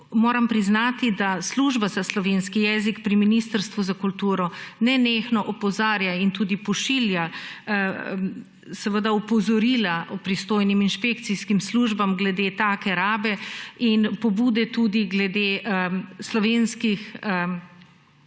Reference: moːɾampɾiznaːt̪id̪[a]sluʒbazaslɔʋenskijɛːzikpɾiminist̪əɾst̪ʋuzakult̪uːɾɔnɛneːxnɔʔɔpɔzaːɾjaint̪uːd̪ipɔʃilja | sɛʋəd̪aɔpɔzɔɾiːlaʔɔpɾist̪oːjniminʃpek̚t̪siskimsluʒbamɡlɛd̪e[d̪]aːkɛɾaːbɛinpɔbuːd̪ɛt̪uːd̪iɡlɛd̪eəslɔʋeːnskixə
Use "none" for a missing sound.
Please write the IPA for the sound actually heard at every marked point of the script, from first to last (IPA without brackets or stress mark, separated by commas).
a, t̪